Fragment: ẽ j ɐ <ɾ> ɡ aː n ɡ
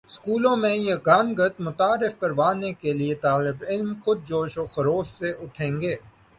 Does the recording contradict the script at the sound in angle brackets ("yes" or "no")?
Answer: yes